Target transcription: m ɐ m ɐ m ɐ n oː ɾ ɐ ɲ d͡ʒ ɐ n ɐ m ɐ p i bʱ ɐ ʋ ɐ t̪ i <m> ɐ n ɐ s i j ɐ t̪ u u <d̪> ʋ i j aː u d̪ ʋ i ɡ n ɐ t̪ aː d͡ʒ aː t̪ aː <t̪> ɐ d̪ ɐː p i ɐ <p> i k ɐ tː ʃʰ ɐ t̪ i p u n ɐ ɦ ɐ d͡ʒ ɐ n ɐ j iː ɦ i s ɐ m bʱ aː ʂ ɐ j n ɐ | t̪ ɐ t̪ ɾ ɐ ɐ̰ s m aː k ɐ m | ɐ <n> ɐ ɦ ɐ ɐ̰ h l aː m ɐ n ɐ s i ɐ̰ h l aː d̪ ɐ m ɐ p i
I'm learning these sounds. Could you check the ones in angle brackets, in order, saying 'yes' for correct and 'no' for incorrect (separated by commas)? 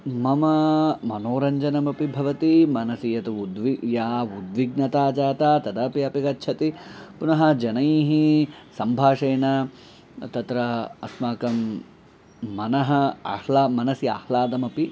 yes, yes, yes, yes, yes